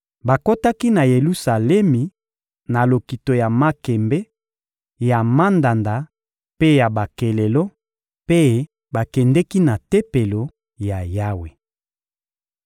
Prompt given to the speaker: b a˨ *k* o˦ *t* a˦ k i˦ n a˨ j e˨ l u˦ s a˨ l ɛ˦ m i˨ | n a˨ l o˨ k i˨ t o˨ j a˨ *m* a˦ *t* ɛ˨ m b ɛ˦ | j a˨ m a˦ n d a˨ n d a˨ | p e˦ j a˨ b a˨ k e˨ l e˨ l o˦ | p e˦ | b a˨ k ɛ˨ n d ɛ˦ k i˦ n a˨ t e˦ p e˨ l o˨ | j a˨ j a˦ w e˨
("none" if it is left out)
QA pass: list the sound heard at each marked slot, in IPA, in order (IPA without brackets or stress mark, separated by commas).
k, t, m, k